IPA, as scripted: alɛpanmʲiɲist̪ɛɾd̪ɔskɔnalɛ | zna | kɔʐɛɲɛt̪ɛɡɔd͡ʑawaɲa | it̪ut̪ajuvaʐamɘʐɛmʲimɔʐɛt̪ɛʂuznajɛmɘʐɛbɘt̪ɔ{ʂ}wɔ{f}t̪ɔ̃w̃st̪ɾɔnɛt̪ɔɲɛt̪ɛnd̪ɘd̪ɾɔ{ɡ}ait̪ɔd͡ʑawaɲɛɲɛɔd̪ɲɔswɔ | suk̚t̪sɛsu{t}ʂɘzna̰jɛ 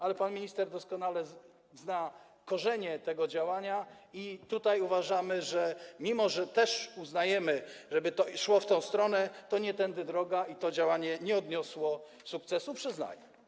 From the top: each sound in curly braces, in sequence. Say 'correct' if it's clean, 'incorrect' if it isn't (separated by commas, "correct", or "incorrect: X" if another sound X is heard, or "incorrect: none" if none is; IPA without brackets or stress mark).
correct, correct, correct, incorrect: p